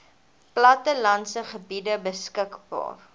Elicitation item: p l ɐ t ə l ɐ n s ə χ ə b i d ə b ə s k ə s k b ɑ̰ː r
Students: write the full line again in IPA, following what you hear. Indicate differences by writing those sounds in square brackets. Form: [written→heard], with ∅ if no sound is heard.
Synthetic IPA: p l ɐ t ə l ɐ n s ə χ ə b i d ə b ə s k ə [s→∅] k b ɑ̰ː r